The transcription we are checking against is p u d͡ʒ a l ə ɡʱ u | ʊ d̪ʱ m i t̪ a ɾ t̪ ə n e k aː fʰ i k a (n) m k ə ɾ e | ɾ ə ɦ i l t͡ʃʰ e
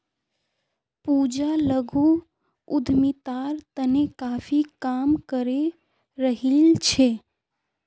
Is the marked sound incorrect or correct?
incorrect: none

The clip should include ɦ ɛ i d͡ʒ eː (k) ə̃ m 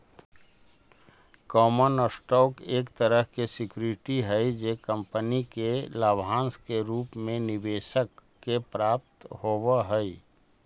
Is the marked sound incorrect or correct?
correct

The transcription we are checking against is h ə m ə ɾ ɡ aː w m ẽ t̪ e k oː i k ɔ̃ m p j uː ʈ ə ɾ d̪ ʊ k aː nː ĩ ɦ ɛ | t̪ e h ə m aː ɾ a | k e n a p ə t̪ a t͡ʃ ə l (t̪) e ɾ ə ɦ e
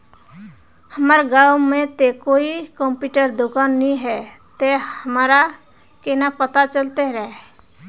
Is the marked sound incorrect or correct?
correct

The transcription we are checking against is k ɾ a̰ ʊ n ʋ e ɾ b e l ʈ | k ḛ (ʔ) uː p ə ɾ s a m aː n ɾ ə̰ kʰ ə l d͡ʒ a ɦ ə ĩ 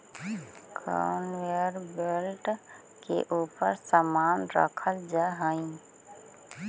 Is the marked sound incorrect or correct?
correct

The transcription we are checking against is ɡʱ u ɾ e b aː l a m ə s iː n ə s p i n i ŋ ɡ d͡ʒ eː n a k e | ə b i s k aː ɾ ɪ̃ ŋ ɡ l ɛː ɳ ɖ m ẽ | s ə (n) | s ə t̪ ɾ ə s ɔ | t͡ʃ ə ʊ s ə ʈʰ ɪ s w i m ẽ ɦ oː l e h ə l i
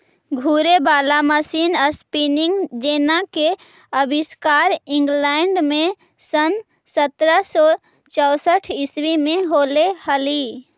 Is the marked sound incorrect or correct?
correct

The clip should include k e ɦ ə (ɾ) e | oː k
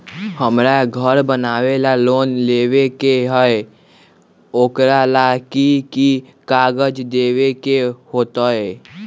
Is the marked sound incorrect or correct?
incorrect: none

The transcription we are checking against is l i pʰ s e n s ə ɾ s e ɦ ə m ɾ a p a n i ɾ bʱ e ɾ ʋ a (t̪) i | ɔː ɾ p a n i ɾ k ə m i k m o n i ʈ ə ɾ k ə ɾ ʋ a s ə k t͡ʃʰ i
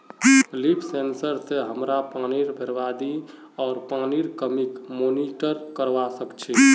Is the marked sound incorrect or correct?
incorrect: d̪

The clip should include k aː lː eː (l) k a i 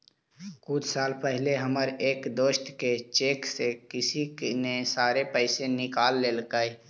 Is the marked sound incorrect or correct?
correct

